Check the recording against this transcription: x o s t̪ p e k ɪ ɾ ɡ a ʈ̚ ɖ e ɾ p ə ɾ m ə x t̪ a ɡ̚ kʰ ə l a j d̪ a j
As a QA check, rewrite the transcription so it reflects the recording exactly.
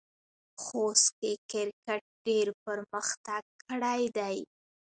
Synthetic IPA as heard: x o s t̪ k e k ɪ ɾ k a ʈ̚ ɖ e ɾ p ə ɾ m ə x t̪ a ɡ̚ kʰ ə ɽ a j d̪ a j